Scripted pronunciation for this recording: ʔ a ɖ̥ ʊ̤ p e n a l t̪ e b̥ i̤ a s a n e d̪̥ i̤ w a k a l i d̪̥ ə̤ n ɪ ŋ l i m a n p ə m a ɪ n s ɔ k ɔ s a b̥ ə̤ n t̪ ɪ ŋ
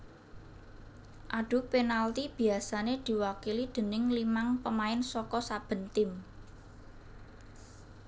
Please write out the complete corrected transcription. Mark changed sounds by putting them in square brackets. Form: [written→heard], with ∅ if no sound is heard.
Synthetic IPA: ʔ a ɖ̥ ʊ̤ p e n a l t̪ [e→i] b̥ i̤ a s a n e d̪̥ i̤ w a k [a→i] l i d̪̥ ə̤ n ɪ ŋ l i m a [n→ŋ] p ə m a ɪ n s ɔ k ɔ s a b̥ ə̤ n t̪ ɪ [ŋ→m]